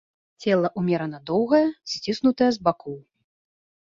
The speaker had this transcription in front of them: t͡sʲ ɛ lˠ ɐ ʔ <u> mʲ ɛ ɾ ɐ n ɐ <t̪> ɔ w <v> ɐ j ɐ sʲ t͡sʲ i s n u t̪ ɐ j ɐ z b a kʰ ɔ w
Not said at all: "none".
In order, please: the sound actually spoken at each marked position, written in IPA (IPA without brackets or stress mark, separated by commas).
u, d̪, ɣ